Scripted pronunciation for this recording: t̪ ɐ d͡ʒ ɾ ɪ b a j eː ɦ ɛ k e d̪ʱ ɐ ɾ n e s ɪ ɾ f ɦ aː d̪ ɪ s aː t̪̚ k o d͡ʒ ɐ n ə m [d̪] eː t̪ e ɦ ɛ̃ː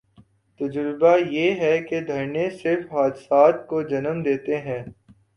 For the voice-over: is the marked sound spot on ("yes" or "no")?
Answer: yes